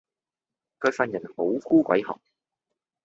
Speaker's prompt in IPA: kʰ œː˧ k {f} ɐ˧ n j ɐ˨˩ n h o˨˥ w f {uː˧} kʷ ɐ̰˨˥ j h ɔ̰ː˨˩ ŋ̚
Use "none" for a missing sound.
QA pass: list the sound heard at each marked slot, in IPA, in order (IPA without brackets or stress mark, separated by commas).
f, uː˥